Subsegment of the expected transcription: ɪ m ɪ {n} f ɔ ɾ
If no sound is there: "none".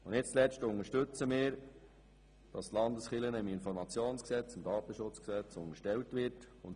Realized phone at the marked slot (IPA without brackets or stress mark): n